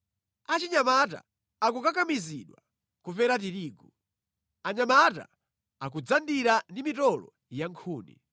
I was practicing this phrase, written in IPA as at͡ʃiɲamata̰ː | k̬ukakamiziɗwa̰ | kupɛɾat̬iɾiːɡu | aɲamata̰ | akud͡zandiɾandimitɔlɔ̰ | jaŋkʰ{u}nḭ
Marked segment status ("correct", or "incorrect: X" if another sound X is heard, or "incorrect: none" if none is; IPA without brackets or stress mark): incorrect: uː